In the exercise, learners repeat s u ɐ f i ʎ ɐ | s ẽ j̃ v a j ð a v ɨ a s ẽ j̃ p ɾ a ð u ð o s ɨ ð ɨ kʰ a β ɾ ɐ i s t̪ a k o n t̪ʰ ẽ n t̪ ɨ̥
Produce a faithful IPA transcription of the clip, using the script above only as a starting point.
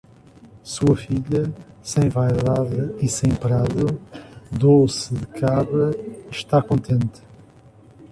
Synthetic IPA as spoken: s u ɐ f i ʎ ɐ | s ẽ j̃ v a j ð a ð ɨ i s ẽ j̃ p ɾ a ð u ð o s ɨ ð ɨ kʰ a β ɾ ɐ i ʃ t̪ a k õ n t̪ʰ ẽ n t̪ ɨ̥

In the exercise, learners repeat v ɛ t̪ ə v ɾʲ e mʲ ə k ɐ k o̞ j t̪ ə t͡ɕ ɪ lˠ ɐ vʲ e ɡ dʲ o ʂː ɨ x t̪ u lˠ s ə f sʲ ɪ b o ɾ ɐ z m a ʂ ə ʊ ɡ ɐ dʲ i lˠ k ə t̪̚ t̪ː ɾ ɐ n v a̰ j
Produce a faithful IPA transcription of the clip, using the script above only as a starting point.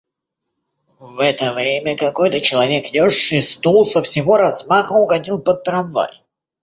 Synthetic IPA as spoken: v ɛ t̪ ə v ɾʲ e mʲ ə k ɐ k o̞ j t̪ ə t͡ɕ ɪ lˠ ɐ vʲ e k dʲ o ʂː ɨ s t̪ u lˠ s ə f sʲ ɪ v o ɾ ɐ z m a x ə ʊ ɡ ɐ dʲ i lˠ p ə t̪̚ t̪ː ɾ ɐ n v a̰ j

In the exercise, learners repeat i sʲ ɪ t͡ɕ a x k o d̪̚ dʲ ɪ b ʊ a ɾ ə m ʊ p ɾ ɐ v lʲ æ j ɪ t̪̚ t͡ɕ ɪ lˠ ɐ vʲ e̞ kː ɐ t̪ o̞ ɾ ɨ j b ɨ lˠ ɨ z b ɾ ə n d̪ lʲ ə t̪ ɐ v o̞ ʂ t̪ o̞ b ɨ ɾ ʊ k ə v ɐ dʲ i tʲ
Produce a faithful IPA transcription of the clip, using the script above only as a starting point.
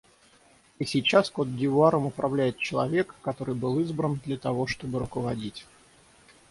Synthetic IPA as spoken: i sʲ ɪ t͡ɕ a s k o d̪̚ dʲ ɪ v ʊ a ɾ ə m ʊ p ɾ ɐ v lʲ æ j ɪ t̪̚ t͡ɕ ɪ lˠ ɐ vʲ e̞ kː ɐ t̪ o̞ ɾ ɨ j b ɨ lˠ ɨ z b ɾ ə n d̪ lʲ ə t̪ ɐ v o̞ ʂ t̪ o̞ b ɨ ɾ ʊ k ə v ɐ dʲ i tʲ

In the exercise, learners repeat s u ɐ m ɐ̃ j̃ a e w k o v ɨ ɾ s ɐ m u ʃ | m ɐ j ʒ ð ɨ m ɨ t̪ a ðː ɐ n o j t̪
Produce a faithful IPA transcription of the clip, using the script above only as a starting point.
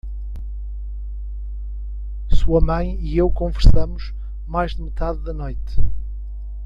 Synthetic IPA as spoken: s u ɐ m ɐ̃ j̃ i e w k õ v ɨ ɾ s ɐ m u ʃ | m a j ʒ ð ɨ m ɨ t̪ a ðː ɐ n o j t̪

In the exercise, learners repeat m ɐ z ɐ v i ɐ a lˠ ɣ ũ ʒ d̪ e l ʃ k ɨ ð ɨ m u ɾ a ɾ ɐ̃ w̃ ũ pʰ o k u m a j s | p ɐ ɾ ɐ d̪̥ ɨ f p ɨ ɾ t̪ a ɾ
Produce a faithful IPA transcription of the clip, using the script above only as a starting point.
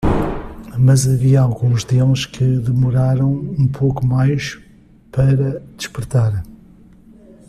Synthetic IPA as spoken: m ɐ z ɐ v i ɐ a lˠ ɣ ũ ʒ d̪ e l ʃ k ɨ ð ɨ m u ɾ a ɾ ɐ̃ w̃ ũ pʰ o k u m a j ʃ | p ɐ ɾ ɐ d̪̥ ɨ ʃ p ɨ ɾ t̪ a ɾ

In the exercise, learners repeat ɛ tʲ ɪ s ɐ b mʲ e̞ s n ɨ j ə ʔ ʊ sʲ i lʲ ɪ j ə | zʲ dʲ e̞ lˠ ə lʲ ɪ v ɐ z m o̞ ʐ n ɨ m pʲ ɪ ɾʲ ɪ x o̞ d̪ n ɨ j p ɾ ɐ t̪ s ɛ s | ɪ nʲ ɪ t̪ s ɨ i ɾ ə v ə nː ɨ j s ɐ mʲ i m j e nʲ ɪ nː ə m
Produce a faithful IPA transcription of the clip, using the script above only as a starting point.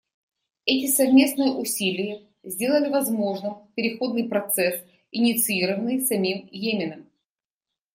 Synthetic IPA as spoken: ɛ tʲ ɪ s ɐ v mʲ e̞ s n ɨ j ə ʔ ʊ sʲ i lʲ ɪ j ə | zʲ dʲ e̞ lˠ ə lʲ ɪ v ɐ z m o̞ ʐ n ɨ m pʲ ɪ ɾʲ ɪ x o̞ d̪ n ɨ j p ɾ ɐ t̪ s ɛ s | ɪ nʲ ɪ t̪ s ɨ i ɾ ə v ə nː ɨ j s ɐ mʲ i m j e mʲ ɪ n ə m

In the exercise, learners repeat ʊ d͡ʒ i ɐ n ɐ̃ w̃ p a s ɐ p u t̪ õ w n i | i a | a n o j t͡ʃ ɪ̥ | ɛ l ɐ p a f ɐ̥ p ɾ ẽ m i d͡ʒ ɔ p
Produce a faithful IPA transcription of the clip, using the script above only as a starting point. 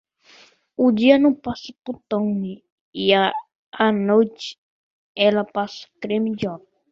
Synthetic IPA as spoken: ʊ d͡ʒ i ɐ n ɐ̃ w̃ p a s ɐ p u t̪ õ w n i | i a | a n o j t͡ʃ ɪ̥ | ɛ l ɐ p a s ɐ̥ k ɾ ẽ m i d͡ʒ ɔ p

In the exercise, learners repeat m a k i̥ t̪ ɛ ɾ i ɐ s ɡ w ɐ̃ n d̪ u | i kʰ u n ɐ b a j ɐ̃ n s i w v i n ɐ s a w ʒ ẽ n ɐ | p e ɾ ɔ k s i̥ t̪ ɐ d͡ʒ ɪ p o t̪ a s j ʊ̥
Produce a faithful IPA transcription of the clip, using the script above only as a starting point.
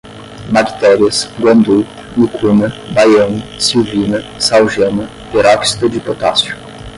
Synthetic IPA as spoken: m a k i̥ t̪ ɛ ɾ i ɐ s ɡ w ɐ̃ n d̪ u | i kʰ u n ɐ b a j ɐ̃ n s i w v i n ɐ s a w ʒ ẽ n ɐ | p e ɾ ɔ k s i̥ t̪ ɐ d͡ʒ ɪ p o t̪ a s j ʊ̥

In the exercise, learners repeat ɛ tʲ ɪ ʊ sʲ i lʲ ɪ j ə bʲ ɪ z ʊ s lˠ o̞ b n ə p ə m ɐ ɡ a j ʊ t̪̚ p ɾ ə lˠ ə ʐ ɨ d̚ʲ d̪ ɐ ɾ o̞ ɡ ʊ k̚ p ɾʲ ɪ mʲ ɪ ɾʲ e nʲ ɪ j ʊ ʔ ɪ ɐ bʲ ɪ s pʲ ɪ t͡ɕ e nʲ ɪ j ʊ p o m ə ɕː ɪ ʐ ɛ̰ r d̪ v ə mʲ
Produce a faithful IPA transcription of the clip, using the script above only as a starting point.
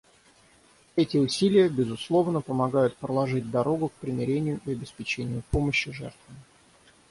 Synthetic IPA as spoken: ɛ tʲ ɪ ʊ sʲ i lʲ ɪ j ə bʲ ɪ z ʊ s lˠ o̞ v n ə p ə m ɐ ɡ a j ʊ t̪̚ p ɾ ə lˠ ɐ ʐ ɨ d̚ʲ d̪ ɐ ɾ o̞ ɡ ʊ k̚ p ɾʲ ɪ mʲ ɪ ɾʲ e nʲ ɪ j ʊ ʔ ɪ ɐ bʲ ɪ s pʲ ɪ t͡ɕ e nʲ ɪ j ʊ p o m ə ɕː ɪ ʐ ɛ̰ r t̪ v ə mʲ

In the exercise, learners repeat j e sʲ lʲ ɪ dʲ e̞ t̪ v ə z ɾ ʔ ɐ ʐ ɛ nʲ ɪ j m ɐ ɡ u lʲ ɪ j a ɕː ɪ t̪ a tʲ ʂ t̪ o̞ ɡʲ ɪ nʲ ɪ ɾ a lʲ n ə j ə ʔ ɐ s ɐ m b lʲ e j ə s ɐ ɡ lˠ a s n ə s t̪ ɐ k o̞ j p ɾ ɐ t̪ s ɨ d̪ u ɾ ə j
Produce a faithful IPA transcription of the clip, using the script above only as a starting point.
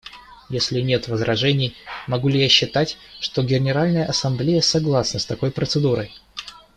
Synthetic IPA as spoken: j e sʲ lʲ ɪ nʲ e̞ t̪ v ə z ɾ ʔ ɐ ʐ ɛ nʲ ɪ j m ɐ ɡ u lʲ ɪ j a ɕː ɪ t̪ a tʲ ʂ t̪ o̞ ɡʲ ɪ nʲ ɪ ɾ a lʲ n ə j ə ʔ ɐ s ɐ m b lʲ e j ə s ɐ ɡ lˠ a s n ə s t̪ ɐ k o̞ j p ɾ ə t̪ s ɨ d̪ u ɾ ə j

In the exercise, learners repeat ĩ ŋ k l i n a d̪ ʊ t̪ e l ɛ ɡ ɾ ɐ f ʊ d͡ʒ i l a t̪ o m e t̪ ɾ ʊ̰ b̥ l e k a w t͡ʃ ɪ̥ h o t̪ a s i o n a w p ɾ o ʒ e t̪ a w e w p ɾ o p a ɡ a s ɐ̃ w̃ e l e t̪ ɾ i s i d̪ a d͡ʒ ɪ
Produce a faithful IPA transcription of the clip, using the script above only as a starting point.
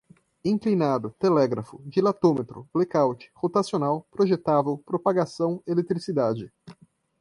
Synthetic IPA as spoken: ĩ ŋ k l i n a d̪ ʊ t̪ e l ɛ ɡ ɾ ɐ f ʊ d͡ʒ i l a t̪ o m e t̪ ɾ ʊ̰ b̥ l e k a w t͡ʃ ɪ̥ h o t̪ a s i o n a w p ɾ o ʒ e t̪ a v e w p ɾ o p a ɡ a s ɐ̃ w̃ e l e t̪ ɾ i s i d̪ a d͡ʒ ɪ

